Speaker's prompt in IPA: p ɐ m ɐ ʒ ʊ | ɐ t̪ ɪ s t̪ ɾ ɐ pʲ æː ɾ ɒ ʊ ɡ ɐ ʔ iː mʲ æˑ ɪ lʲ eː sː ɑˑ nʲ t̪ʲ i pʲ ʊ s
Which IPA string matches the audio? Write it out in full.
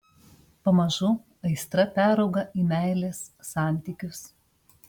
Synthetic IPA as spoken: p ɐ m ɐ ʒ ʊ | ɐ ɪ s t̪ ɾ ɐ pʲ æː ɾ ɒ ʊ ɡ ɐ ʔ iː mʲ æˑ ɪ lʲ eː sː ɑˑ nʲ t̪ʲ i kʲ ʊ s